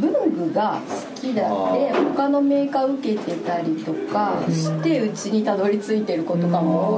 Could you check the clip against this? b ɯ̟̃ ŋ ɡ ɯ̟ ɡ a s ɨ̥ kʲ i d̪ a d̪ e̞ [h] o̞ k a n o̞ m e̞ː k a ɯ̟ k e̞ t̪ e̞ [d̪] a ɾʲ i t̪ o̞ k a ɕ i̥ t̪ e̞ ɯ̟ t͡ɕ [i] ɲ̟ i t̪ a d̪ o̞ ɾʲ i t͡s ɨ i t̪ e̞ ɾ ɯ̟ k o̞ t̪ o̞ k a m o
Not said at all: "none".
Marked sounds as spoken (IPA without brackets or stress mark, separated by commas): h, t̪, i